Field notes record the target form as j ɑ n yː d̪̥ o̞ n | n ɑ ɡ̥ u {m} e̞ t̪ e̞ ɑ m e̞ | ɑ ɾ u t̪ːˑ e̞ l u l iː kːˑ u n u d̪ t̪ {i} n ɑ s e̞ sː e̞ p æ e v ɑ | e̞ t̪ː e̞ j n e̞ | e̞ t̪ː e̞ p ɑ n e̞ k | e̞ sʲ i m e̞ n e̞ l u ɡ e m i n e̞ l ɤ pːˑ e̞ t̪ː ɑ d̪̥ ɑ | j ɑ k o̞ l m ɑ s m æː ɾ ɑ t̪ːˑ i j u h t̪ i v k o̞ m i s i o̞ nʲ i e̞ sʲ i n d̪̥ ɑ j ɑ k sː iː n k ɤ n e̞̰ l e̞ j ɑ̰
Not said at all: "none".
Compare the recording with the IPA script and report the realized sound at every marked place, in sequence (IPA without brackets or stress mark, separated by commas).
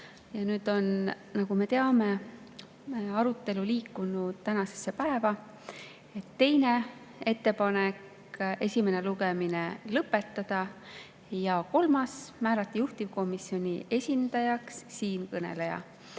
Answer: m, æ